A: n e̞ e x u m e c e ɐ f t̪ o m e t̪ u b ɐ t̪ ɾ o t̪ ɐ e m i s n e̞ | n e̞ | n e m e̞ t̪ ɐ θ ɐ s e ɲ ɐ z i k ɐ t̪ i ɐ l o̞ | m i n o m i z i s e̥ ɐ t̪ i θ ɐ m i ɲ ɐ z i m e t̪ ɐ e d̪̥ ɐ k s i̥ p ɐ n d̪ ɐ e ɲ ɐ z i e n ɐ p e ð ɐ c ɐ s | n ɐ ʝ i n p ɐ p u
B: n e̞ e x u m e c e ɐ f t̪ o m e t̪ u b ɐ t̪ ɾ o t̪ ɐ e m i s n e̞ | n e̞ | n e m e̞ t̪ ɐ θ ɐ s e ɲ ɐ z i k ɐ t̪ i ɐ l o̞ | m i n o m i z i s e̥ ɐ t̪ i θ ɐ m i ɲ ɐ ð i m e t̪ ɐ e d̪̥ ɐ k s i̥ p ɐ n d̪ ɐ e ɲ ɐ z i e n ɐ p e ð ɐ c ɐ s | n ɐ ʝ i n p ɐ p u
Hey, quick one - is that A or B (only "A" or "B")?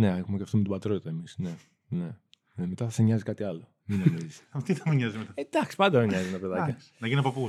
A